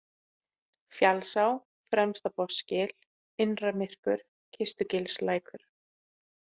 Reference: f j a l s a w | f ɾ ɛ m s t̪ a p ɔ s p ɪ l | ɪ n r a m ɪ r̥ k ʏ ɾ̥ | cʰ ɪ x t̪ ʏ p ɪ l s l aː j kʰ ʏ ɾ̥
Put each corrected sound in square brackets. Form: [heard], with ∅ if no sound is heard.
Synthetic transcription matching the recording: f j a l s a w | f ɾ ɛ m s t̪ a p ɔ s [c] ɪ l | ɪ n r a m ɪ r̥ k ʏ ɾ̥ | cʰ ɪ [s] t̪ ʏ [c] ɪ l s l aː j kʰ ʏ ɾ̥

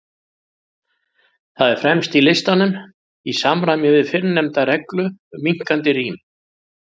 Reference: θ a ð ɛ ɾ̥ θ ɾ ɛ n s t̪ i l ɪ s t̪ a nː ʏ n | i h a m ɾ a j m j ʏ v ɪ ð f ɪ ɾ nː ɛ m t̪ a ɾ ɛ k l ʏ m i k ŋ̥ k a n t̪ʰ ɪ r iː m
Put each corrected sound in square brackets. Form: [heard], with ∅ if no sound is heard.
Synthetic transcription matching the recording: θ a ð ɛ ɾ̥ [f] ɾ ɛ [m] s t̪ i l ɪ s t̪ a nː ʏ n | i [s] a m ɾ a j m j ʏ v ɪ ð f ɪ ɾ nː ɛ m t̪ a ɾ ɛ k l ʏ m i [∅] ŋ̥ k a n [t̪] ɪ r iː m

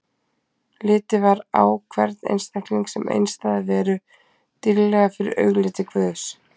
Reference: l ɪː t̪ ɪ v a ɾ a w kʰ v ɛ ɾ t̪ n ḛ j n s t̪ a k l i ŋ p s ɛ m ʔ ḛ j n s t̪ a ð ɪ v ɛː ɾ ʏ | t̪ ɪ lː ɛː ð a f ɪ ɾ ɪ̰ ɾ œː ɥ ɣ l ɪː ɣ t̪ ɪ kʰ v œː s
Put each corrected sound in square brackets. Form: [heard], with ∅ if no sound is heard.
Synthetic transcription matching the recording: l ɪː t̪ ɪ v a ɾ a w kʰ v ɛ ɾ t̪ n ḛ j n s t̪ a k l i ŋ [k] s ɛ m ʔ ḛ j n s t̪ a ð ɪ v ɛː ɾ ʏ | t̪ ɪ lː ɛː [ɣ] a f ɪ ɾ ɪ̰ ɾ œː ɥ ɣ l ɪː [∅] t̪ ɪ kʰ v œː s

